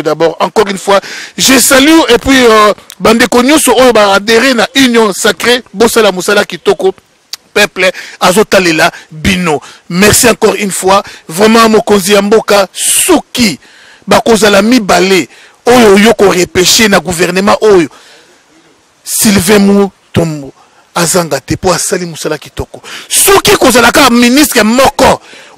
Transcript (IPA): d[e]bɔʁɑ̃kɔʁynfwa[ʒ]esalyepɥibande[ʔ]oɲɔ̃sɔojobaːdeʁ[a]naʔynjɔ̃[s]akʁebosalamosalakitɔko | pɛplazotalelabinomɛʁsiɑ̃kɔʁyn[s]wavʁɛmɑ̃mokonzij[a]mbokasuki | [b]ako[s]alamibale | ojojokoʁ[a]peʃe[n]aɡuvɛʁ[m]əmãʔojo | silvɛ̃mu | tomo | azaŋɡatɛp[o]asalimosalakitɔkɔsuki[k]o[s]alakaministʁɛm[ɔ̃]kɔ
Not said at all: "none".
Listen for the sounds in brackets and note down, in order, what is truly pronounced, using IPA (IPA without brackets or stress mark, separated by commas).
a, ʒ, k, e, s, f, a, b, z, e, n, n, o, k, z, ɔ